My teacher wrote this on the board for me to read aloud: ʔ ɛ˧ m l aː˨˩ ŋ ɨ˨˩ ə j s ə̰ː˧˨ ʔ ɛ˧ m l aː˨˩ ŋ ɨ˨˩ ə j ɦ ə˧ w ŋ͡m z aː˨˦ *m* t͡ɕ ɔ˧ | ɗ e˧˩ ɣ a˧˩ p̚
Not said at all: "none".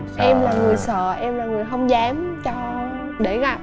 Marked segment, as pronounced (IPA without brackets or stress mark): m